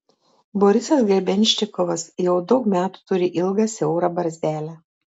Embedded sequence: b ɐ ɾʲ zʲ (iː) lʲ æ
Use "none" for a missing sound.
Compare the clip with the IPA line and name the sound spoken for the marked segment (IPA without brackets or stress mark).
æː